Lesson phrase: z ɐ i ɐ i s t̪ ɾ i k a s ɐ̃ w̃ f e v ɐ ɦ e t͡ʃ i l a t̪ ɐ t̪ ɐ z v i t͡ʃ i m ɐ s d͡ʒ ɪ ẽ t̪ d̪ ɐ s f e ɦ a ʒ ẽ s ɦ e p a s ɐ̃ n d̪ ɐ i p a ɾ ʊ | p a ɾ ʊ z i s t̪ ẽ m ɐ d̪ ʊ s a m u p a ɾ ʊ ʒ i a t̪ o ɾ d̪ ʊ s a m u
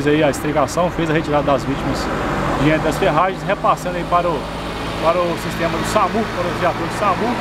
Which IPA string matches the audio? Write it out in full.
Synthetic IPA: z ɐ i ɐ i s t̪ ɾ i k a s ɐ̃ w̃ f e z ɐ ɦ e t͡ʃ i ɾ a d̪ ɐ d̪ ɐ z v i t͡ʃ i m ɐ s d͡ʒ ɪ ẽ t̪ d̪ ɐ s f e ɦ a ʒ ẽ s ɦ e p a s ɐ̃ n d̪ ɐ i p a ɾ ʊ | p a ɾ ʊ s i s t̪ ẽ m ɐ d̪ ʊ s a m u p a ɾ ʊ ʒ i a t̪ o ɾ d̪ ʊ s a m u